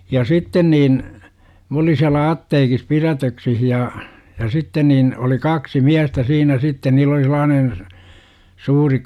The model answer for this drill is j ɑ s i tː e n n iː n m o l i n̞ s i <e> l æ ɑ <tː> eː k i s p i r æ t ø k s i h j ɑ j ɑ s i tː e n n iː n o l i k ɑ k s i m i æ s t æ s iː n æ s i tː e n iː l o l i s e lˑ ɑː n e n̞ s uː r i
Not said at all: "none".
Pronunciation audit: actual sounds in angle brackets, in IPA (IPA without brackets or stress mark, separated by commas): æ, tː